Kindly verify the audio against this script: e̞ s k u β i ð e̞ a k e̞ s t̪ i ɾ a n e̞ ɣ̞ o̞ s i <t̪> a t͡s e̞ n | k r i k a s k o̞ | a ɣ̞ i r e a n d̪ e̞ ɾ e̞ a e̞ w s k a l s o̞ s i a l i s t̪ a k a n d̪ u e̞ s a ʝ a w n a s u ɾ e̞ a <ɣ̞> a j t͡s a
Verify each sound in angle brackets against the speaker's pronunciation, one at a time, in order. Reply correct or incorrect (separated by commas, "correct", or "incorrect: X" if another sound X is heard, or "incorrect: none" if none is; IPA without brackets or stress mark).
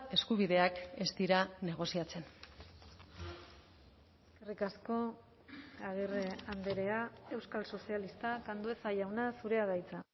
incorrect: none, incorrect: ð̞